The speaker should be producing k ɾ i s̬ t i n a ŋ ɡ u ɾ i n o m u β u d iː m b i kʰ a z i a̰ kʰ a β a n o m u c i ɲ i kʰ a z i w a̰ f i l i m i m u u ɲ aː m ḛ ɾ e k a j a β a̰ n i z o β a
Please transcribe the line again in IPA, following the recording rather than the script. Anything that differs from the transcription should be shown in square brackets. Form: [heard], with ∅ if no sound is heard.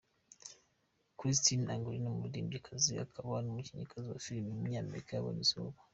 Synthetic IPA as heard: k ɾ i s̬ t i n a ŋ ɡ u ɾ i n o m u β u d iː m b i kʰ a z i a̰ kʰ a β a n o m u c i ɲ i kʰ a z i w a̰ f i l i m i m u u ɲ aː m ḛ ɾ [i] k a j a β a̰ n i z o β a